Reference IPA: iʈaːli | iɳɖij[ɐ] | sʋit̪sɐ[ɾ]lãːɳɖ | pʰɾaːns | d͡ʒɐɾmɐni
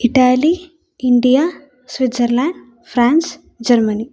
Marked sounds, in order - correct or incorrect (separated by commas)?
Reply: incorrect, correct